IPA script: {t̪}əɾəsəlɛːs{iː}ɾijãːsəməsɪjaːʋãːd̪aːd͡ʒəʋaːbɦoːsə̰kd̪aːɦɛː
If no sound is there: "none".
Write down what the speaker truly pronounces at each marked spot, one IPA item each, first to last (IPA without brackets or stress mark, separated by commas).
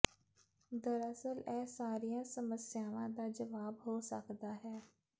d̪, aː